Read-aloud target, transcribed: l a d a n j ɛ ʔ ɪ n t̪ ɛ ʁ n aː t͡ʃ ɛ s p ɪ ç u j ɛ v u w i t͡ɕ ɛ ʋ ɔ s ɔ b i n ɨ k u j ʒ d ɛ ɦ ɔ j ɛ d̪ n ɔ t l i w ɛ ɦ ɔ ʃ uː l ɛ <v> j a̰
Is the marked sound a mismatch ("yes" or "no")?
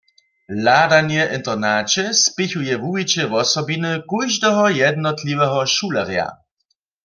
yes